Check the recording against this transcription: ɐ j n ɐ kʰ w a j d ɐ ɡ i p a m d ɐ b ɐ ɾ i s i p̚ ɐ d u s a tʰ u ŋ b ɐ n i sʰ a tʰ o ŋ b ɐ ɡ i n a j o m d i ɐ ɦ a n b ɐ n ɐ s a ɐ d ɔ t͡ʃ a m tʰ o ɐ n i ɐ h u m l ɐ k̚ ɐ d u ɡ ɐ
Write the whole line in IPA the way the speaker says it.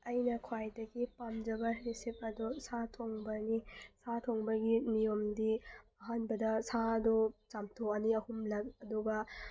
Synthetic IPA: ɐ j n ɐ kʰ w a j d ɐ ɡ i p a m d͡ʒ ɐ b ɐ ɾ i s i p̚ ɐ d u s a tʰ o ŋ b ɐ n i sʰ a tʰ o ŋ b ɐ ɡ i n i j o m d i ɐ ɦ a n b ɐ d ɐ s a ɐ d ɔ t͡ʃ a m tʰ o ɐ n i ɐ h u m l ɐ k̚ ɐ d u ɡ ɐ